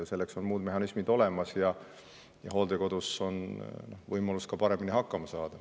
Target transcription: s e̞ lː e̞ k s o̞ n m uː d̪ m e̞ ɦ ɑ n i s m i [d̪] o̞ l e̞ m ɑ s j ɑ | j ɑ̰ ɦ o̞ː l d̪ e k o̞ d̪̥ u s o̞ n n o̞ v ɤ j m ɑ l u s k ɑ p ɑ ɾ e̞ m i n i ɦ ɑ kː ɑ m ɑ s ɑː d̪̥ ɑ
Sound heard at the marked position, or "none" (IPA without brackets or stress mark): d̪